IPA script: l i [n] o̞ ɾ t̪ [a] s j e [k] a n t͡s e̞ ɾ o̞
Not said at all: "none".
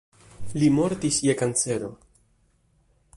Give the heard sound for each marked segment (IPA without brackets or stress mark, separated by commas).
m, i, k